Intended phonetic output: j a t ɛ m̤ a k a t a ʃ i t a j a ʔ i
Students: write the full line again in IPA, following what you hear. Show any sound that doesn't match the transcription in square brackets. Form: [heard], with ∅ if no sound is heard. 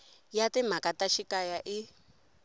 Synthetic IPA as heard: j a t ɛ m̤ a k a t a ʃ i [k] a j a ʔ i